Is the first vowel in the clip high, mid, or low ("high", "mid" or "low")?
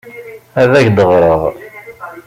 low